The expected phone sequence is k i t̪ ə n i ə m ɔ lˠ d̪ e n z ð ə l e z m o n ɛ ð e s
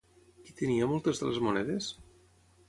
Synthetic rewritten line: k i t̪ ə n i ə m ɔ lˠ t̪ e z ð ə l e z m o n ɛ ð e s